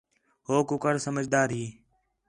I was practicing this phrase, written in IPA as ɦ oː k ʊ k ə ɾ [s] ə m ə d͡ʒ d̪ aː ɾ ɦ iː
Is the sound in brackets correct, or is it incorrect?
correct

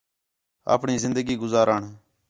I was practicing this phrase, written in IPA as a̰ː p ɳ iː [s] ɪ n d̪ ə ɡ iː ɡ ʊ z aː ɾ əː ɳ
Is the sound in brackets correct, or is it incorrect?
incorrect: z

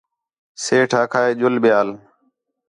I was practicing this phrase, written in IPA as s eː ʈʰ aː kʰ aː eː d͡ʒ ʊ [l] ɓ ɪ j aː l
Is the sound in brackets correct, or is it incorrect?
correct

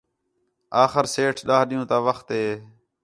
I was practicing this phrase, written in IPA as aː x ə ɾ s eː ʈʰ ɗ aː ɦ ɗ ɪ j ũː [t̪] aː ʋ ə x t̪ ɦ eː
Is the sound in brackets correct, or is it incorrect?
correct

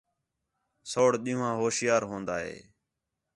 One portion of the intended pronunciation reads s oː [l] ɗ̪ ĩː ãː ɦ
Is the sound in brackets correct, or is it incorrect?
incorrect: ɽ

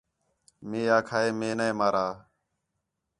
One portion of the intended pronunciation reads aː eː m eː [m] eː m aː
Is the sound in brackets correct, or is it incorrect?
incorrect: n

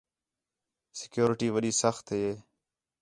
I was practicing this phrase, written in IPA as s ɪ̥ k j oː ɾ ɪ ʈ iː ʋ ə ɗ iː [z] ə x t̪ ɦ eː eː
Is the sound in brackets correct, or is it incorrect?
incorrect: s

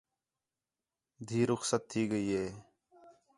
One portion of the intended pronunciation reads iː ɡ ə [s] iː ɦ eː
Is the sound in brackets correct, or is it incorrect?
incorrect: none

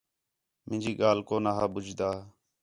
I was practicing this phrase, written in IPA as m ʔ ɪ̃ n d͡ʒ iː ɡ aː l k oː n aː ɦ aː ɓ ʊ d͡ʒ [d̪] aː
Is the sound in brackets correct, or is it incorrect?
correct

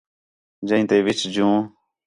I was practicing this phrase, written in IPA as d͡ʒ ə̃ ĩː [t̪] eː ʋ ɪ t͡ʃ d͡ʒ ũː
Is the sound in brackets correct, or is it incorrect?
correct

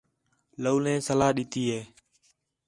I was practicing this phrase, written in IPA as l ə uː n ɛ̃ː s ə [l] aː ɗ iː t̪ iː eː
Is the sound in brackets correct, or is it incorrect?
correct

